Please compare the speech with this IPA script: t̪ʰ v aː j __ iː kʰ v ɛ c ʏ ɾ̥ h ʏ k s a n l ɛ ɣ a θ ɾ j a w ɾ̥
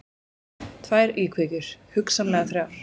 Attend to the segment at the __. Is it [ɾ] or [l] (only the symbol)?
ɾ